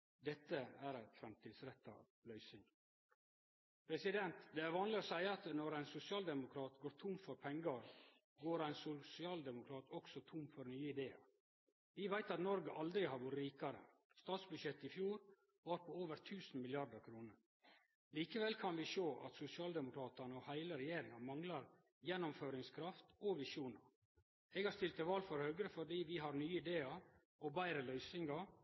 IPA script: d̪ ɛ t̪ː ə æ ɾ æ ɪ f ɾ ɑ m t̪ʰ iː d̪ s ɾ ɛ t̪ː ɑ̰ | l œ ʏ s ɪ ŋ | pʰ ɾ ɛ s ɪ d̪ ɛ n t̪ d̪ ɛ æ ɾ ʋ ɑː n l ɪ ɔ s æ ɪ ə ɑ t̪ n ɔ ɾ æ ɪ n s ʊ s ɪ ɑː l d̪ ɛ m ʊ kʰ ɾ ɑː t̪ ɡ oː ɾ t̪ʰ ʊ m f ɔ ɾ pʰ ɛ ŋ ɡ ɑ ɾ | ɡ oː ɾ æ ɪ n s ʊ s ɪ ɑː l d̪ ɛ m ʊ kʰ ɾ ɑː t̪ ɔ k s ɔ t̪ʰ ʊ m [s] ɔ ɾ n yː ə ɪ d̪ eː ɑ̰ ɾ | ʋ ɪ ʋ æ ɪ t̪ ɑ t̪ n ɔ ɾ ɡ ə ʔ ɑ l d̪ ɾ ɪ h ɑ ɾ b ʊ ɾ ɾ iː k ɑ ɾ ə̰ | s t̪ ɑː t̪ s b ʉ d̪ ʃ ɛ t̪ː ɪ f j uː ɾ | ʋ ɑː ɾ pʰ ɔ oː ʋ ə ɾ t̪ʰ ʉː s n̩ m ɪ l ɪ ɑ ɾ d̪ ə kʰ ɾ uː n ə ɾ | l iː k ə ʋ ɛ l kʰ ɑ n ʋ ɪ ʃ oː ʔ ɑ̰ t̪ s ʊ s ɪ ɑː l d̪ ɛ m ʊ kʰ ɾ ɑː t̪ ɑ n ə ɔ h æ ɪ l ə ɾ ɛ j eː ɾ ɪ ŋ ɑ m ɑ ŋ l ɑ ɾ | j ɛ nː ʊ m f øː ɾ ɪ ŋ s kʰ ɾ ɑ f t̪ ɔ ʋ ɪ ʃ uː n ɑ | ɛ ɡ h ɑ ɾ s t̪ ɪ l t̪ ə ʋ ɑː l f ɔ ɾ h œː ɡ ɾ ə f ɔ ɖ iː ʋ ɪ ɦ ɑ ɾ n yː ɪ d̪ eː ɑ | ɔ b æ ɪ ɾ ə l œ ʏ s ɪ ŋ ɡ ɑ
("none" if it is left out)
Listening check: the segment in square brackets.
f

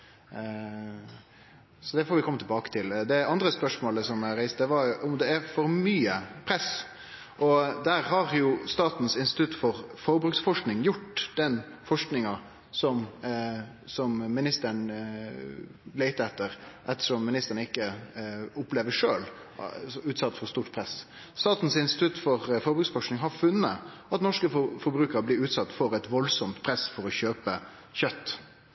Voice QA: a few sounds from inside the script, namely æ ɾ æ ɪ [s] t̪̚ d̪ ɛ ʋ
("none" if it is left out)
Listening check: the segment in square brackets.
s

